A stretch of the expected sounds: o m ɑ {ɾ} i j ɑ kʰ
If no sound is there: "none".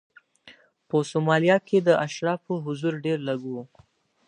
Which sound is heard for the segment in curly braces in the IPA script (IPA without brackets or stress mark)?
l